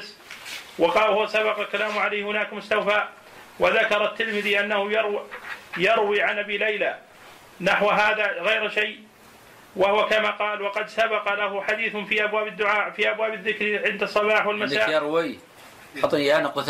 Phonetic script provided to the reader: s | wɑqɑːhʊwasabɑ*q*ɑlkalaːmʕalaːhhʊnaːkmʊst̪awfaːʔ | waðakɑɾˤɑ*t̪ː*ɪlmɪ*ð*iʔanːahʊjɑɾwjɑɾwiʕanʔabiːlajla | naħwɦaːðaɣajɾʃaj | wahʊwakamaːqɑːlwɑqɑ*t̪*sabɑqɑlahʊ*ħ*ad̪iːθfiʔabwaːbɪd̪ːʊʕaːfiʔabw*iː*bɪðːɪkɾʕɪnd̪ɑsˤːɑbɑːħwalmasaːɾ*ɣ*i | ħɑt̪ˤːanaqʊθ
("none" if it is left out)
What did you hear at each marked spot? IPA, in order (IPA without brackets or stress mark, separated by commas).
q, t̪ː, ð, d̪, ħ, aː, w